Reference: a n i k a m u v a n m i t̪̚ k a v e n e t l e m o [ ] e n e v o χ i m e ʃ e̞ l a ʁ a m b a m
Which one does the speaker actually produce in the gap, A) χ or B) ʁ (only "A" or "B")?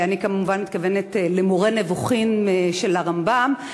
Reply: B